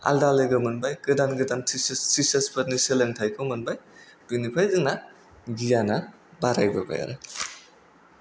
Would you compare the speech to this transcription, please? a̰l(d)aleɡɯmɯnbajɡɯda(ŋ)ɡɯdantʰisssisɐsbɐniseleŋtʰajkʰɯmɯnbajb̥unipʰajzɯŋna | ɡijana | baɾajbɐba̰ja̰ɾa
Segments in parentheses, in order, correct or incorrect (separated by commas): correct, incorrect